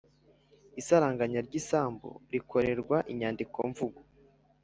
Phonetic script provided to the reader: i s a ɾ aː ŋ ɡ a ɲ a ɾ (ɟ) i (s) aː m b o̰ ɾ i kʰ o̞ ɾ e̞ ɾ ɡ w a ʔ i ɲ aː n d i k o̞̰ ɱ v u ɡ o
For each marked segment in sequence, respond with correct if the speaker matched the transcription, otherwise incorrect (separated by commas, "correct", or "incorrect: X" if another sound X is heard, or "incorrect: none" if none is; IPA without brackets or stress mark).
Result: correct, correct